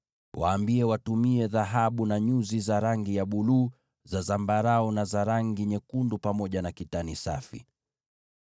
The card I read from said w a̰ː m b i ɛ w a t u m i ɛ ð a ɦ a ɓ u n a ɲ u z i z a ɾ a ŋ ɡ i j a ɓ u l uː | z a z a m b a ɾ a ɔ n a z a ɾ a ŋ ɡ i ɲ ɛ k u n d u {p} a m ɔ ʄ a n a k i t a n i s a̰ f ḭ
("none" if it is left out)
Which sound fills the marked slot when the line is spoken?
p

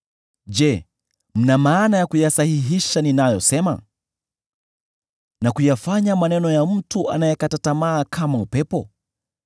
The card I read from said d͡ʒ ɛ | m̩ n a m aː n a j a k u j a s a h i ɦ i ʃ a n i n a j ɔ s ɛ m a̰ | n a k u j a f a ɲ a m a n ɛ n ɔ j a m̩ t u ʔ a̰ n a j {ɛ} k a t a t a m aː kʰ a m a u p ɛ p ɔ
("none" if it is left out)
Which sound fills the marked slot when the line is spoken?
ɛ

